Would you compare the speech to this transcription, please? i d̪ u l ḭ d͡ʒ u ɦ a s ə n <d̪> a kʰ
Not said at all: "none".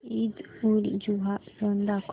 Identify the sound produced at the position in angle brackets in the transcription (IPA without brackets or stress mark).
d̪